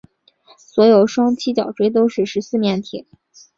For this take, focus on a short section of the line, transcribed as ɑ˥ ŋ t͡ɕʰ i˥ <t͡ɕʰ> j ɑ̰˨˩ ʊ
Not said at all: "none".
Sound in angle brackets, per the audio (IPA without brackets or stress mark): t͡ɕ